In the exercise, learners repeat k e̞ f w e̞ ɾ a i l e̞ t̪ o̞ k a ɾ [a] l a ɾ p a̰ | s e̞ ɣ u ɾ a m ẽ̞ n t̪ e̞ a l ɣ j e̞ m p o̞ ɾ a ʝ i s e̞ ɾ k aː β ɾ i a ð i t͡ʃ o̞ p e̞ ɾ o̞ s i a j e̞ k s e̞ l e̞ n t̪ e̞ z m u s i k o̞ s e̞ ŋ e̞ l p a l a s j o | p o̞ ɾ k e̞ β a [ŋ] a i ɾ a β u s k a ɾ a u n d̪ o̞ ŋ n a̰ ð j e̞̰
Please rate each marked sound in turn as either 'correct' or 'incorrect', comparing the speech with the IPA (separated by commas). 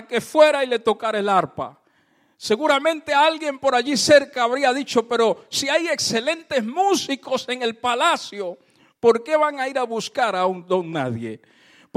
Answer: incorrect, correct